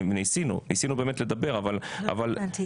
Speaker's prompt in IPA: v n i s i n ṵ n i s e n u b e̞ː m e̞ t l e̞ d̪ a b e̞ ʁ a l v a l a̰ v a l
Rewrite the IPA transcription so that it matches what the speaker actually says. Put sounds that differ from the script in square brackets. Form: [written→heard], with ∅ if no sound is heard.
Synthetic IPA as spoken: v n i s i n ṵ n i s [e→i] n u b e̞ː m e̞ t l e̞ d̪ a b e̞ ʁ a [l→∅] v a l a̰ v a l